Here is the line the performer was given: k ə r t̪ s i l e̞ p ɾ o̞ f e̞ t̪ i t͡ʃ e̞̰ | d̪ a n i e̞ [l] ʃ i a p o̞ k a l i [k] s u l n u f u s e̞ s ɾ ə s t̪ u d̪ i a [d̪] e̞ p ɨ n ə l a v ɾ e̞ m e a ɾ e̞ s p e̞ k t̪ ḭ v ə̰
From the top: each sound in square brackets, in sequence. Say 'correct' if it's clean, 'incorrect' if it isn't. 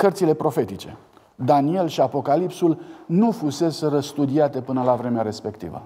correct, incorrect: p, incorrect: t̪

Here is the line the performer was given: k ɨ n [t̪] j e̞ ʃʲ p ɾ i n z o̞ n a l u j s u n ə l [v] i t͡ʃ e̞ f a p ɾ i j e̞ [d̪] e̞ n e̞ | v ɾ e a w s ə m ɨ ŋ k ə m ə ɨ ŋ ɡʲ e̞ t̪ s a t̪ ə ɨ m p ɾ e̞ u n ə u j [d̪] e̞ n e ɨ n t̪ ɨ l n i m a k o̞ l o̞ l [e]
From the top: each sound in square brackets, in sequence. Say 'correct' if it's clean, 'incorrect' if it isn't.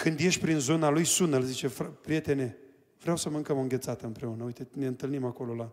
incorrect: d̪, incorrect: z, incorrect: t̪, incorrect: t̪, incorrect: a

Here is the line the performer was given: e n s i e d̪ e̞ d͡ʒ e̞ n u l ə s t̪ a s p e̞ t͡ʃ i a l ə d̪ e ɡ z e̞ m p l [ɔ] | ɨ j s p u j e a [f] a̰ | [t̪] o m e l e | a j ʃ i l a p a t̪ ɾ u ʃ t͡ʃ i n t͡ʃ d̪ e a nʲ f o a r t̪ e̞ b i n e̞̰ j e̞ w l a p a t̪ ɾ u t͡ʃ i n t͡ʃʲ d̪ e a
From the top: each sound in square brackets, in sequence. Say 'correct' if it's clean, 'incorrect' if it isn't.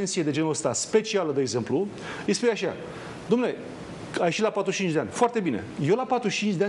incorrect: u, incorrect: ʃ, incorrect: d̪

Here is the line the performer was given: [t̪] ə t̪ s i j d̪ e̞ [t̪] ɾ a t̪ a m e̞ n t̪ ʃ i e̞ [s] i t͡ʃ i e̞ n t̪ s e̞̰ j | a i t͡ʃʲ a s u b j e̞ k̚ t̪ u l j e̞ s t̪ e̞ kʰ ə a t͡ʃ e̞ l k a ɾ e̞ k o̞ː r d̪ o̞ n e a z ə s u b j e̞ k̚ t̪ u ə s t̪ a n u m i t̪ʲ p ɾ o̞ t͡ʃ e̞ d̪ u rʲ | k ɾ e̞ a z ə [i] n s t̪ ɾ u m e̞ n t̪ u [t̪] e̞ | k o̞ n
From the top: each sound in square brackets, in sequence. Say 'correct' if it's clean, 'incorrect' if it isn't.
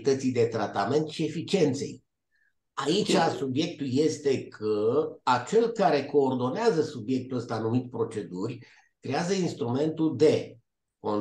correct, correct, incorrect: f, correct, incorrect: d̪

